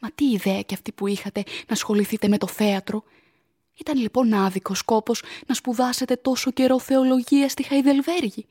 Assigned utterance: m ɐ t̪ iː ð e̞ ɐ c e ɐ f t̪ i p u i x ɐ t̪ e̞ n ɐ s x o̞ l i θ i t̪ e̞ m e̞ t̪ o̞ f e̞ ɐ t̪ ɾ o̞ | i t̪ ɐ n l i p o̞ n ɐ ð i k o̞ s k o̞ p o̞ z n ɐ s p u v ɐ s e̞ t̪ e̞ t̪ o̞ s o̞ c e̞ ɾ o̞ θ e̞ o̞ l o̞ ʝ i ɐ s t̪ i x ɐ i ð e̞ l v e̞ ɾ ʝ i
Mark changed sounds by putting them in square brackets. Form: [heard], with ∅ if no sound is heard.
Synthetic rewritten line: m ɐ t̪ iː ð e̞ ɐ c e ɐ f t̪ i p u i x ɐ t̪ e̞ n ɐ s x o̞ l i θ i t̪ e̞ m e̞ t̪ o̞ [θ] e̞ ɐ t̪ ɾ o̞ | i t̪ ɐ n l i p o̞ n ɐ ð i k o̞ s k o̞ p o̞ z n ɐ s p u [ð] ɐ s e̞ t̪ e̞ t̪ o̞ s o̞ c e̞ ɾ o̞ θ e̞ o̞ l o̞ ʝ i ɐ s t̪ i x ɐ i ð e̞ l v e̞ ɾ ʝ i